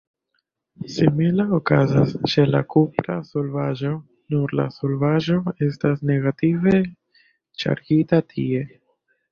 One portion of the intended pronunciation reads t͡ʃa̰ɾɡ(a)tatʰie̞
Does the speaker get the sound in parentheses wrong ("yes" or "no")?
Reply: yes